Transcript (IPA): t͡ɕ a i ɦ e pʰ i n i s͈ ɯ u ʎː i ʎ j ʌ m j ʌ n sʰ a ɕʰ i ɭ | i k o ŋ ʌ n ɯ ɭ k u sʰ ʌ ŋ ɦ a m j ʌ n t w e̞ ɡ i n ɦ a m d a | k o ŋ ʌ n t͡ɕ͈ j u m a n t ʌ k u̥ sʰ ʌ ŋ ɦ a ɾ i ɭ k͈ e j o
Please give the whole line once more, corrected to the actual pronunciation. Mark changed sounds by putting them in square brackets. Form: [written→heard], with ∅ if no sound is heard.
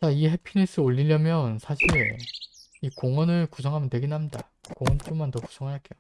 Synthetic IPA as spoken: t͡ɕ a i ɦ e pʰ i n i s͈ ɯ [u→o] ʎː i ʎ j ʌ m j ʌ n sʰ a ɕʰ i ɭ | i k o ŋ ʌ n ɯ ɭ k u sʰ ʌ ŋ ɦ a m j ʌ n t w e̞ ɡ i n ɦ a m d a | k o ŋ ʌ n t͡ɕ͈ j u m a n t ʌ k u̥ sʰ ʌ ŋ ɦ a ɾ [i→a] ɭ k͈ e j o